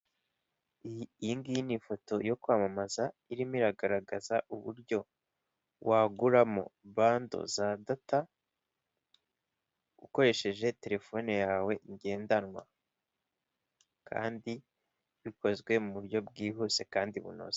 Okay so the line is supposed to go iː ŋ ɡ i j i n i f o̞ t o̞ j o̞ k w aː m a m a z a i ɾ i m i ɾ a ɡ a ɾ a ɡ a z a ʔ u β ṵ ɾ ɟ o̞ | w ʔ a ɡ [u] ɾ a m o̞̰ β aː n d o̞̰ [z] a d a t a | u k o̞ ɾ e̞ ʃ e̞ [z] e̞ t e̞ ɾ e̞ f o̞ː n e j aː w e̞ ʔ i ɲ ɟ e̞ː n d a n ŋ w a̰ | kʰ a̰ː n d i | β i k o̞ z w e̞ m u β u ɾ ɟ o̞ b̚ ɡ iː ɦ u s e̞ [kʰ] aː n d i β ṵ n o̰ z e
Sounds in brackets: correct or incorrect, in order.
correct, correct, incorrect: ʒ, incorrect: k

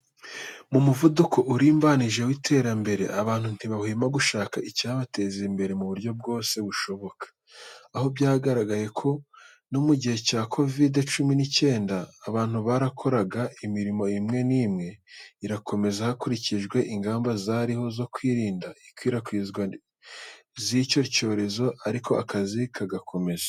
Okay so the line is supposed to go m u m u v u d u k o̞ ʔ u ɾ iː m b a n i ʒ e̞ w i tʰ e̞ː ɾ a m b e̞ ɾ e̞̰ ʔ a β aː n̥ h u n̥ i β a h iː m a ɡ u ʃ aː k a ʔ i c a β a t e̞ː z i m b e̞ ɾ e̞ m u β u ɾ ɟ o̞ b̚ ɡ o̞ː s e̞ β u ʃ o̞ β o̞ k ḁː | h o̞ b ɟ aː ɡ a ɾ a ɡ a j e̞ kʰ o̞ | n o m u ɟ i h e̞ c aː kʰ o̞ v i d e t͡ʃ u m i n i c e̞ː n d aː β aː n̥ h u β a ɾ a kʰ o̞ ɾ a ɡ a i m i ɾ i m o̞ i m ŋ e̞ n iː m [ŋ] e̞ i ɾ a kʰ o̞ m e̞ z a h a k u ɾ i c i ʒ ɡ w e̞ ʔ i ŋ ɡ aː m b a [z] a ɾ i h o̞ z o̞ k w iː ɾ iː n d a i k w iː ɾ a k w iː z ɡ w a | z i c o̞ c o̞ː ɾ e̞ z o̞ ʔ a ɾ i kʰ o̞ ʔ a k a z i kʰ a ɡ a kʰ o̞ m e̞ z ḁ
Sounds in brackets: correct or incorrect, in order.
correct, correct

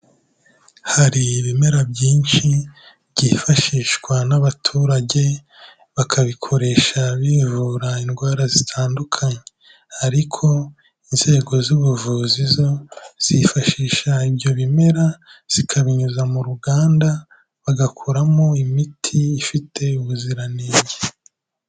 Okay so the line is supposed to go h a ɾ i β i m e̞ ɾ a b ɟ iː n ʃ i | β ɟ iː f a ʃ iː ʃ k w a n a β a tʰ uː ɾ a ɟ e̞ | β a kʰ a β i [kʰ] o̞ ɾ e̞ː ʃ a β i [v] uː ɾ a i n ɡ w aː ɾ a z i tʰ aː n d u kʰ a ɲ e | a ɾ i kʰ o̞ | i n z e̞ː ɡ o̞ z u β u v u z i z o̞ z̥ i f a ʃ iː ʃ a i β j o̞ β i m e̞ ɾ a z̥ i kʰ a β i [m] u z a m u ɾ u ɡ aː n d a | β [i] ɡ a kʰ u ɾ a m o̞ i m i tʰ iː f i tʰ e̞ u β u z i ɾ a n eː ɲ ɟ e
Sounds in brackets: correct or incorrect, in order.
correct, correct, incorrect: ɲ, incorrect: a

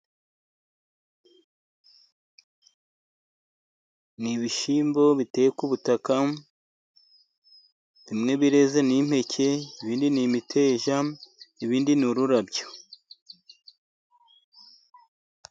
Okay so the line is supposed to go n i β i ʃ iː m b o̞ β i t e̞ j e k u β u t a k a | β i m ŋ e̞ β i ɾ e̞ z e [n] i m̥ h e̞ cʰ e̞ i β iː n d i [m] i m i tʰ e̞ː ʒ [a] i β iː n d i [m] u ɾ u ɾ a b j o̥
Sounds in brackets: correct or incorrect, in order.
correct, incorrect: n, correct, incorrect: n

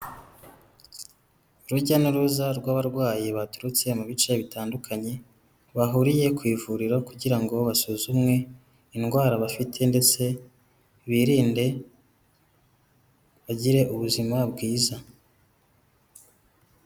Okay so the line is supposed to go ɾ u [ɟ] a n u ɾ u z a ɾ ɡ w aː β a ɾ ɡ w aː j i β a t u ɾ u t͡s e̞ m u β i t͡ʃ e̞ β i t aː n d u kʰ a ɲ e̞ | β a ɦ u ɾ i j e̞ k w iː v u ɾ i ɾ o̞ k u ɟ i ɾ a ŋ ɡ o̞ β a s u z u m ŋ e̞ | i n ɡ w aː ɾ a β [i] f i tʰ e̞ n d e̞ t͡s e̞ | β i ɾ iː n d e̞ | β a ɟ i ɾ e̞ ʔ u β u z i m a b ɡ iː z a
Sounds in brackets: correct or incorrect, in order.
correct, incorrect: a

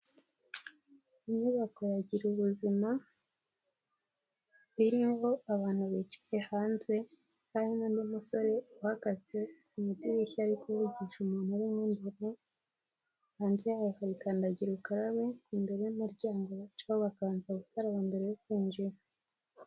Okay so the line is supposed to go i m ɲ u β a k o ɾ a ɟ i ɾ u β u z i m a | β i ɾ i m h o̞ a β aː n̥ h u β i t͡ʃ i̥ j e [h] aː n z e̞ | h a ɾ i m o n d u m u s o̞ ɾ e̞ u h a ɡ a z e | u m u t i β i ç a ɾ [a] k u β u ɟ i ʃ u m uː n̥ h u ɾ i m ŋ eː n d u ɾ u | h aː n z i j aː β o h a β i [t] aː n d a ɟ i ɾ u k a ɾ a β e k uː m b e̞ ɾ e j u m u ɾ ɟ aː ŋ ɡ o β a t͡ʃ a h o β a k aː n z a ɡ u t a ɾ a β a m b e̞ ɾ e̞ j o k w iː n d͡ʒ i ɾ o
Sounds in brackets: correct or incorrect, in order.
correct, incorrect: i, incorrect: k

